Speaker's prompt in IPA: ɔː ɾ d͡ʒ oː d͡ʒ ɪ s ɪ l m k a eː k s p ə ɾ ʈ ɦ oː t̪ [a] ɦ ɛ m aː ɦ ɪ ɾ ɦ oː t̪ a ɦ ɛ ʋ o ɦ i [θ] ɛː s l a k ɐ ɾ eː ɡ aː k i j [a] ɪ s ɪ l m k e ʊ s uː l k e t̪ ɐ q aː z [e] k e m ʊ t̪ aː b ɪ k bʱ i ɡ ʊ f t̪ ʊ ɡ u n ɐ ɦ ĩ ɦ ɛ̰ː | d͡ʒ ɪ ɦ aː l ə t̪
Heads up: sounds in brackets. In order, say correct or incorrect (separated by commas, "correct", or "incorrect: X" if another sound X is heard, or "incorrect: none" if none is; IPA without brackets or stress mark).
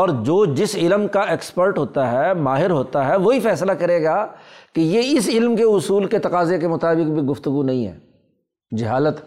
correct, incorrect: f, incorrect: e, correct